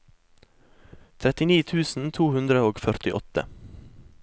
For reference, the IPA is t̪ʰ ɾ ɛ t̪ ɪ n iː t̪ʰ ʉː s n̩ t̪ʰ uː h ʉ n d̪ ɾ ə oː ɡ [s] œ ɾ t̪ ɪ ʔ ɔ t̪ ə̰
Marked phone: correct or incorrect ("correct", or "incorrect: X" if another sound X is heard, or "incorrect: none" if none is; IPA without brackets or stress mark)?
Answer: incorrect: f